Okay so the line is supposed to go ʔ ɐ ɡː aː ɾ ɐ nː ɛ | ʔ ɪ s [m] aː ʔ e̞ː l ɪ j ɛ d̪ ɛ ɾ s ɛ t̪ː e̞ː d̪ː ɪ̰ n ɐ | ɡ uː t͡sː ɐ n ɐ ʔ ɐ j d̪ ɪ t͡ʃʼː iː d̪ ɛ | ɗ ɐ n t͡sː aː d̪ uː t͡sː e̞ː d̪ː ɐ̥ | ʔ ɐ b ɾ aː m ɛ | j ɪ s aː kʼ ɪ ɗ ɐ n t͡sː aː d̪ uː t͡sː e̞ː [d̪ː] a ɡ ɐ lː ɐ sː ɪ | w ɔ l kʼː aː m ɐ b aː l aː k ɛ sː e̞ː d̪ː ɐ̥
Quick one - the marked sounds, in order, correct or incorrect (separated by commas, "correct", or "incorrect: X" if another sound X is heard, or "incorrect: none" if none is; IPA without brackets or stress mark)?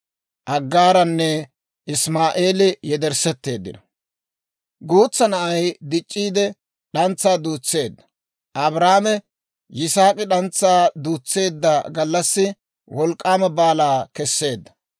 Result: correct, correct